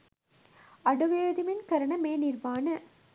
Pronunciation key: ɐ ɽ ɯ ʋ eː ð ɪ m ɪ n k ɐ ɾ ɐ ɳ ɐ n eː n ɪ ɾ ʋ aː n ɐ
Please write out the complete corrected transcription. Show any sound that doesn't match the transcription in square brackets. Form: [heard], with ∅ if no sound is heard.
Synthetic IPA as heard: ɐ ɽ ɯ ʋ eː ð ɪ m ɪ n k ɐ ɾ ɐ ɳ ɐ [m] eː n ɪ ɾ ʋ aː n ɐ